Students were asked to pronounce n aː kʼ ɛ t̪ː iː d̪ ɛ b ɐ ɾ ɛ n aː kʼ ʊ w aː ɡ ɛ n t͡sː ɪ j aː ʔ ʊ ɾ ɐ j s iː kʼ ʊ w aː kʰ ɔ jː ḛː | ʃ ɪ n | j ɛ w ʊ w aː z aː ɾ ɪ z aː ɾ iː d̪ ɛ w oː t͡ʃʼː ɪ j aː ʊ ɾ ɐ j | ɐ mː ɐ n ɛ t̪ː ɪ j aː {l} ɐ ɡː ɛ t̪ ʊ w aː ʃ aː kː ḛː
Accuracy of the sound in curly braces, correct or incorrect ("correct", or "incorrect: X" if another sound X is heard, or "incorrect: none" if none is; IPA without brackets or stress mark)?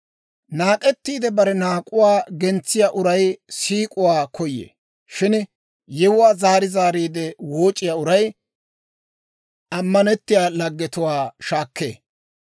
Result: correct